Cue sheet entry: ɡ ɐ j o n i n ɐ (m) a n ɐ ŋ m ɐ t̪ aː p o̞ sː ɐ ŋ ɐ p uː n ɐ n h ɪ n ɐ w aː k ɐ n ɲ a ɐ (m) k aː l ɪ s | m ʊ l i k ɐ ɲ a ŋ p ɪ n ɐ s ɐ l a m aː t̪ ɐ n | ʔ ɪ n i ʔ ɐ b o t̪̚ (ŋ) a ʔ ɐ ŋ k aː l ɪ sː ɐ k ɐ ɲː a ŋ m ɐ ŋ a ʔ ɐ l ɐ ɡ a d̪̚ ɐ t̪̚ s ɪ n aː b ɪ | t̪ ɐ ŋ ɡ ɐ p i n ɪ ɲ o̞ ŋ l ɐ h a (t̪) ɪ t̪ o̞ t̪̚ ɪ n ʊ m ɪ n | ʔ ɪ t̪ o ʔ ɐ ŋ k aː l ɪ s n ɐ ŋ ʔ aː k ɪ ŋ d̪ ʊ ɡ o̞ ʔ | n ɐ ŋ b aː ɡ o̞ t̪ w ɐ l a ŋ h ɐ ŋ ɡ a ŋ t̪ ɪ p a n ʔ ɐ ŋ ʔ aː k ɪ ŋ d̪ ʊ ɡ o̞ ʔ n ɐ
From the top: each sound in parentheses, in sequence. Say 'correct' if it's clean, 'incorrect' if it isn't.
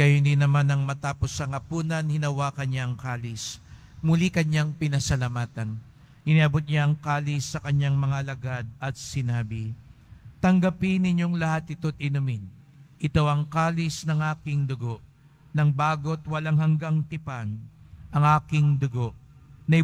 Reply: correct, incorrect: ŋ, incorrect: ɲ, correct

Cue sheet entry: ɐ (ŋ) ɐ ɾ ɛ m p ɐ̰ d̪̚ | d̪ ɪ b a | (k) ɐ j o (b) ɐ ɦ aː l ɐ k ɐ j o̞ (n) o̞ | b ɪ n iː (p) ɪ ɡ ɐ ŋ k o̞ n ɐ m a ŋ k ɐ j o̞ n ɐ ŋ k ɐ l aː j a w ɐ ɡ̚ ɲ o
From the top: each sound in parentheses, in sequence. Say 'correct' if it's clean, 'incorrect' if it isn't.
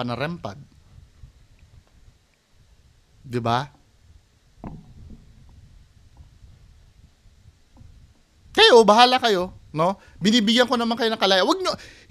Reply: incorrect: n, correct, correct, correct, incorrect: b

